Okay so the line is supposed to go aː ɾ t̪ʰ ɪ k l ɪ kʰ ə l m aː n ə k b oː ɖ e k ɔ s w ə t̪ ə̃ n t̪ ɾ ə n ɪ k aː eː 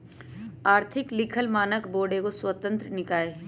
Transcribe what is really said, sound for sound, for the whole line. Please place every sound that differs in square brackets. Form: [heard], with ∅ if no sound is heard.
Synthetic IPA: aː ɾ t̪ʰ ɪ k l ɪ kʰ ə l m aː n ə k b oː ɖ e k [o] s w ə t̪ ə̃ n t̪ ɾ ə n ɪ k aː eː